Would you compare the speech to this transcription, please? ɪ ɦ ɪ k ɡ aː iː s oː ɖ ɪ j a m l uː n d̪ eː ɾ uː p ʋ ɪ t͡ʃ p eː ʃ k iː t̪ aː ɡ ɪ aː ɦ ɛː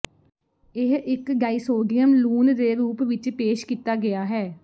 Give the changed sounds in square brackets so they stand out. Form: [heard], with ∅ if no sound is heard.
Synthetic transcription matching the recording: ɪ ɦ ɪ k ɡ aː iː s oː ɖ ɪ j [ə] m l uː n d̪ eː ɾ uː p ʋ ɪ t͡ʃ p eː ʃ k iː t̪ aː ɡ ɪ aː ɦ ɛː